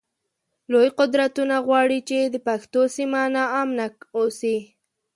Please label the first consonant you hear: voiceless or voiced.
voiced